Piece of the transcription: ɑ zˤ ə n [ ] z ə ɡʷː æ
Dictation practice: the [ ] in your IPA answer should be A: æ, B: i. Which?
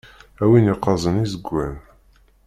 B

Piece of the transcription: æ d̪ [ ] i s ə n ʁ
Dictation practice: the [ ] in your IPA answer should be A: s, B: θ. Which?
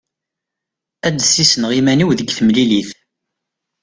A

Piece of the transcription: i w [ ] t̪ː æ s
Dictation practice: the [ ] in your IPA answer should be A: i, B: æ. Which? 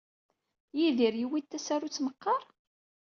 A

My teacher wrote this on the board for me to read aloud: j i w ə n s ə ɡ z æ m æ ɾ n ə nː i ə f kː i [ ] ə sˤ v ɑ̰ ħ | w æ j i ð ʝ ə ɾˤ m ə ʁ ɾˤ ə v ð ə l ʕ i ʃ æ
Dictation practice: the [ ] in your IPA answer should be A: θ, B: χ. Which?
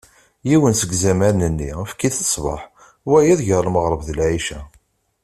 A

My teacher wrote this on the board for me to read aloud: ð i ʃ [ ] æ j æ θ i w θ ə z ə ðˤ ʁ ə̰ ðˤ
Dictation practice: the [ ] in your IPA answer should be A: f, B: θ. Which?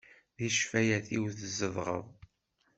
A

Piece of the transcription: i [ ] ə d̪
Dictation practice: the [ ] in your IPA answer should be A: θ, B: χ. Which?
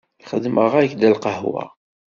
B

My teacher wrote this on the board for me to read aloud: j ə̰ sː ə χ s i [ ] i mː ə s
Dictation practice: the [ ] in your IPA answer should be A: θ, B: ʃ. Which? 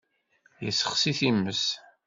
A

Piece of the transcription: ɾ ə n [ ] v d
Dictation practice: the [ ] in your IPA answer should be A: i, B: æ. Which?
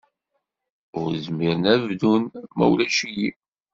B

